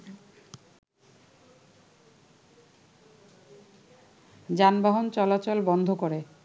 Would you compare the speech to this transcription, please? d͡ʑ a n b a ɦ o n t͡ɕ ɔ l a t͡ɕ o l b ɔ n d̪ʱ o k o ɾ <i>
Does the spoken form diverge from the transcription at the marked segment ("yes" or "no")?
yes